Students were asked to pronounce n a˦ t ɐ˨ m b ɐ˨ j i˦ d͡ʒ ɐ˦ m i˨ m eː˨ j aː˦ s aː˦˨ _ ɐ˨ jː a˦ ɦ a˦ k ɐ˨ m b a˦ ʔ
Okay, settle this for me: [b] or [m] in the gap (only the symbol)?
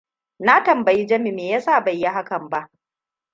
b